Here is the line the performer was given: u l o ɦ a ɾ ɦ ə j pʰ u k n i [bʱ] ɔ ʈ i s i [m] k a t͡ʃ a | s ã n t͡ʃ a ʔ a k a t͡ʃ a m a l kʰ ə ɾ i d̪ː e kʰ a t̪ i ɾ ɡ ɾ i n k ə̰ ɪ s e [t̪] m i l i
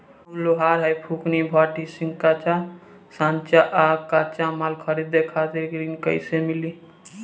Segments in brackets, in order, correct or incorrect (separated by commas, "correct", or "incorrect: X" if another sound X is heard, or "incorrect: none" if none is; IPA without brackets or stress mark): correct, incorrect: ŋ, incorrect: none